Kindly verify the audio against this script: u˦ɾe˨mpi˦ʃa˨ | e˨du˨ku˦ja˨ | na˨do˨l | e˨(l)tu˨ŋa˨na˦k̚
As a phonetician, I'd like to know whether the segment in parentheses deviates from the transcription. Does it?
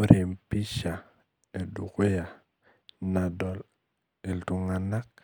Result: no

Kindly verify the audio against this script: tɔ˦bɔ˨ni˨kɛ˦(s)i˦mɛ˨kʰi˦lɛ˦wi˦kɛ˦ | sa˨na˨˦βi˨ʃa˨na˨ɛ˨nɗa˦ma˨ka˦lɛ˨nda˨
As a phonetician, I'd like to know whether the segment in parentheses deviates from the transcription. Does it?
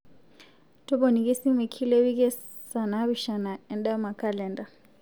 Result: no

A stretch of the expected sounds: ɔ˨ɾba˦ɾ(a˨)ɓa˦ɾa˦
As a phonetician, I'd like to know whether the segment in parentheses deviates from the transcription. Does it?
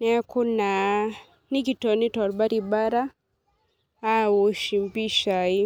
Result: yes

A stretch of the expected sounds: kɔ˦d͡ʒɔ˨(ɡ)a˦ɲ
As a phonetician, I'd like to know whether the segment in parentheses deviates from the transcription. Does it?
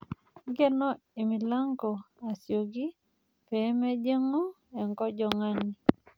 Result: yes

